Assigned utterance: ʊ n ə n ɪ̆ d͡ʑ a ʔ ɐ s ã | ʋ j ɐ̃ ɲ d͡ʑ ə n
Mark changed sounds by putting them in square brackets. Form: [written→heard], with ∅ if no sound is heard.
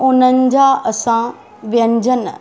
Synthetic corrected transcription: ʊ n ə n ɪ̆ d͡ʑ a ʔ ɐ s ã | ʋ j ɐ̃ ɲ d͡ʑ ə n